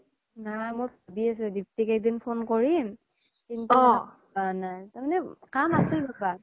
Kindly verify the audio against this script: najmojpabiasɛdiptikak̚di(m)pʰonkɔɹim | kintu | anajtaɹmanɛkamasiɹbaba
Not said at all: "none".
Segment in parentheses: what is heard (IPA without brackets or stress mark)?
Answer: n